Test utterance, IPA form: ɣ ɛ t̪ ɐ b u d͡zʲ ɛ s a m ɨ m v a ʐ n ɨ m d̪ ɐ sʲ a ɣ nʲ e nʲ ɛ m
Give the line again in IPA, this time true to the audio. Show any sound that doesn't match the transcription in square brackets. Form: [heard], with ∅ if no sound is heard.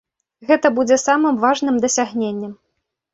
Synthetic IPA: ɣ ɛ t̪ ɐ b u d͡zʲ ɛ s a m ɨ m v a ʐ n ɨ m d̪ ɐ sʲ a ɣ nʲ e [nʲː] ɛ m